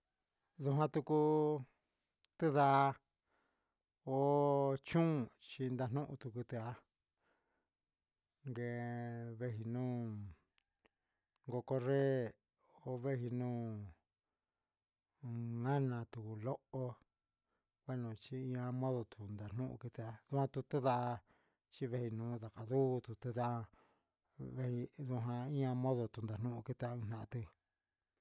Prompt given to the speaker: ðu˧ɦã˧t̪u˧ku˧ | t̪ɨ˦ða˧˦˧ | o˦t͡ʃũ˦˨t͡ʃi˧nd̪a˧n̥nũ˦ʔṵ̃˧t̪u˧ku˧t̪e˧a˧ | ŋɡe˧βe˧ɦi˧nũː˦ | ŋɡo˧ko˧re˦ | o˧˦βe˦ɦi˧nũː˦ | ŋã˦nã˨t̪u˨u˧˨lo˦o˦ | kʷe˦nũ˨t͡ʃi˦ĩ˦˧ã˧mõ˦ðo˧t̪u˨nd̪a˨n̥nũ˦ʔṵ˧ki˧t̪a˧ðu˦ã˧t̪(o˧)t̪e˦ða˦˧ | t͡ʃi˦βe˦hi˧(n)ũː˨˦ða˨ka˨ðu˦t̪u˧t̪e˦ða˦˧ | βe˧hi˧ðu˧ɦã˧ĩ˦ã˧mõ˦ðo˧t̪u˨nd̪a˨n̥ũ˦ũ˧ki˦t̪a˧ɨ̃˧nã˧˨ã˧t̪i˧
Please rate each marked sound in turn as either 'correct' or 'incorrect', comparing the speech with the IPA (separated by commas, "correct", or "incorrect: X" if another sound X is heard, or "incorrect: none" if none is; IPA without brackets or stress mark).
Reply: incorrect: u˧, correct